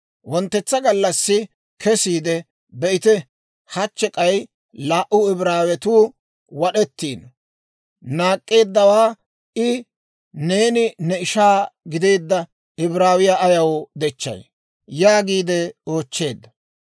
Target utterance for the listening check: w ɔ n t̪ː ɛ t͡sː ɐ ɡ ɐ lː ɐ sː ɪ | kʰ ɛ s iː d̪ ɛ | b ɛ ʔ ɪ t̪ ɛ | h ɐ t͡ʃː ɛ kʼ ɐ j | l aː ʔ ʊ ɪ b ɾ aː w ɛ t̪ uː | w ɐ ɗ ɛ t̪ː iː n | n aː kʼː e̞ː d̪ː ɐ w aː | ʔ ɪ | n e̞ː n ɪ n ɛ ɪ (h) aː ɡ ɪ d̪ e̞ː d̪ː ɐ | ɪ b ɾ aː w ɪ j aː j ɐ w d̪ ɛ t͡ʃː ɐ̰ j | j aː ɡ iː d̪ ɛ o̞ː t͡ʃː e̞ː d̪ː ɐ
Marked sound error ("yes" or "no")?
yes